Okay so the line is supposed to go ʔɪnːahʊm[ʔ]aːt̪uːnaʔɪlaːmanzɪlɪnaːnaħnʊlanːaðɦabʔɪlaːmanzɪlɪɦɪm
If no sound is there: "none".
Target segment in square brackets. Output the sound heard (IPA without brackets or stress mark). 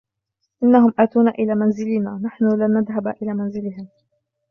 ʔ